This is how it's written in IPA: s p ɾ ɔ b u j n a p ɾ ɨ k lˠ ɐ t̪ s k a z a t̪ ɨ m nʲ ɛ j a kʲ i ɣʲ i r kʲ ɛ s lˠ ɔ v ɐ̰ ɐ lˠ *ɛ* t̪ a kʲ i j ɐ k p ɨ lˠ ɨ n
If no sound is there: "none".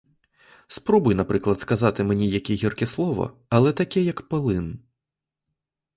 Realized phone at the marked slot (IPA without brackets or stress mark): ɛ